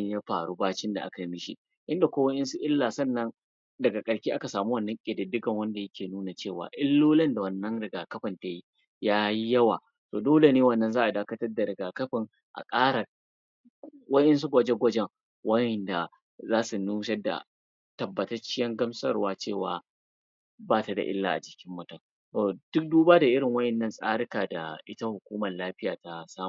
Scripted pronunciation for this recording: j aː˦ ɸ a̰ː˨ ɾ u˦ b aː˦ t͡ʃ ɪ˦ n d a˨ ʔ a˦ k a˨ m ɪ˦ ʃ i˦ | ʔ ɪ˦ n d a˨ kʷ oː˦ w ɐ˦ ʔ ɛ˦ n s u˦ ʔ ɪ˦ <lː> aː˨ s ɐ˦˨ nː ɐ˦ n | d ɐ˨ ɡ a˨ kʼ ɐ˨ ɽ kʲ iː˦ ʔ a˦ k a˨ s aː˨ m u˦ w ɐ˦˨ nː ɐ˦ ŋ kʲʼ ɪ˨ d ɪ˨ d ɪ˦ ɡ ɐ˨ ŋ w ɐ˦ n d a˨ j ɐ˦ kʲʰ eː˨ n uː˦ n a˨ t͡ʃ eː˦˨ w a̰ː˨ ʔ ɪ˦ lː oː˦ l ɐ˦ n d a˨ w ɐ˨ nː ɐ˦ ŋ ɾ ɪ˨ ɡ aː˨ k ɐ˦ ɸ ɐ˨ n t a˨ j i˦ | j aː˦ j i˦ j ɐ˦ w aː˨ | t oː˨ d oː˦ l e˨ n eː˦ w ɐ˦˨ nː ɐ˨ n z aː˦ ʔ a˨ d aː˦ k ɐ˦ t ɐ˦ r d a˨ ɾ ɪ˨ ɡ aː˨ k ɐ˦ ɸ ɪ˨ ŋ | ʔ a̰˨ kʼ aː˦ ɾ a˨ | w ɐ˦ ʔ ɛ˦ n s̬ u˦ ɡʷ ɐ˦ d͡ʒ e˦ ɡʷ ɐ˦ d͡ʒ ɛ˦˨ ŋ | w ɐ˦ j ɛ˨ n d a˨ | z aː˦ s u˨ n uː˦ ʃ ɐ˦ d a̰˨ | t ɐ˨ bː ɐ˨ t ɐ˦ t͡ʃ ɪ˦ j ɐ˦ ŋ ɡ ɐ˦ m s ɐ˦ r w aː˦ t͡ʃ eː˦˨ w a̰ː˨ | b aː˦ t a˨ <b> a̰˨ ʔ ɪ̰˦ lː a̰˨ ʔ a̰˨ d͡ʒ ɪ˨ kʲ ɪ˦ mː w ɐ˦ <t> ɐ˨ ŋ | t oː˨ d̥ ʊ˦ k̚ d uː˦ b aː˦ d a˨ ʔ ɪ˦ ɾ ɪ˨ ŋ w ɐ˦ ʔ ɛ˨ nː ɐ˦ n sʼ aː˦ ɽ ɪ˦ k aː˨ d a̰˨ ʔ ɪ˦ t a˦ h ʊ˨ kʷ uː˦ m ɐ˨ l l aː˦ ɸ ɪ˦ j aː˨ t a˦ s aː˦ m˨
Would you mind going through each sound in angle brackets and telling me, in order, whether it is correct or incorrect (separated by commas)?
correct, incorrect, correct